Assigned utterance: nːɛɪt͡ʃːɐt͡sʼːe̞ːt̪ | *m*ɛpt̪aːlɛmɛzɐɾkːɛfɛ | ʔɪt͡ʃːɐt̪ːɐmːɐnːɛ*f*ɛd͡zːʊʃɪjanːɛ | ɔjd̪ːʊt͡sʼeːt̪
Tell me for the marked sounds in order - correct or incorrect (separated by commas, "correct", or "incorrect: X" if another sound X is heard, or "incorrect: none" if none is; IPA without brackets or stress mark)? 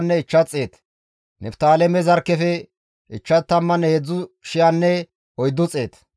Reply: incorrect: n, incorrect: h